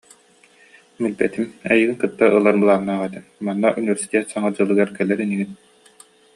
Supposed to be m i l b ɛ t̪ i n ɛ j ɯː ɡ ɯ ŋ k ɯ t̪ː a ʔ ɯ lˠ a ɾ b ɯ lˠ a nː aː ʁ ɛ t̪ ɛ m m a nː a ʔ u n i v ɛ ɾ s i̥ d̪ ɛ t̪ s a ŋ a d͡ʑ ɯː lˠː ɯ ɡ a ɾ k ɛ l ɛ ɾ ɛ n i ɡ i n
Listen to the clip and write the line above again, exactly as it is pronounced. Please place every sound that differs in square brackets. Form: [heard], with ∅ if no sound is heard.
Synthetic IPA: m i l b ɛ t̪ i [m] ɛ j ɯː ɡ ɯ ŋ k ɯ t̪ː a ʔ ɯ lˠ a ɾ b ɯ lˠ a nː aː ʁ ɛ t̪ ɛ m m a nː a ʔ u n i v ɛ ɾ s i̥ [t̪] ɛ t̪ s a ŋ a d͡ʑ [ɯ] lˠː ɯ ɡ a ɾ k ɛ l ɛ ɾ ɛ n i ɡ i n